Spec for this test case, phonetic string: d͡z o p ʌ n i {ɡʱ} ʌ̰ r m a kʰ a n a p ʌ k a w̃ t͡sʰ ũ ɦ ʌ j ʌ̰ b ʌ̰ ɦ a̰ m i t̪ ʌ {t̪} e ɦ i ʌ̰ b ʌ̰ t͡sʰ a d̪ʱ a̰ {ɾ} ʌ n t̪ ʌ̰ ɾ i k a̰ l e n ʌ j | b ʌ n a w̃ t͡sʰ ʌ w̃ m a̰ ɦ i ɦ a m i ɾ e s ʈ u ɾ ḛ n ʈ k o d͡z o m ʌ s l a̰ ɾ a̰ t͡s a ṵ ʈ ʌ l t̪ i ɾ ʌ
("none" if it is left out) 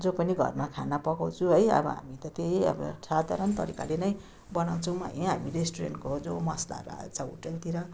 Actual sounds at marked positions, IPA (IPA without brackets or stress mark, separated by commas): ɡʱ, t̪, ɾ